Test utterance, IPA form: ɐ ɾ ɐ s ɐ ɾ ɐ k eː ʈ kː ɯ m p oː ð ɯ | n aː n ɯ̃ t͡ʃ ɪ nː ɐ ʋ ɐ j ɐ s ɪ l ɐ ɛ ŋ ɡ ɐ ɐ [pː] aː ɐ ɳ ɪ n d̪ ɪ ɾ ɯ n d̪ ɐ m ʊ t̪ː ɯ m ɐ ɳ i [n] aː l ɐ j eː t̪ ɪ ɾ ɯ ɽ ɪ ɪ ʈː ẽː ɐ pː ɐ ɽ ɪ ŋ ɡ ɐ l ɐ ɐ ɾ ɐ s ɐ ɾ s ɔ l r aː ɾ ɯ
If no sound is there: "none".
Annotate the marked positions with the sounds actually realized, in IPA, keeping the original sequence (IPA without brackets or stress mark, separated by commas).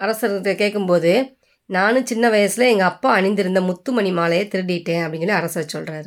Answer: pː, m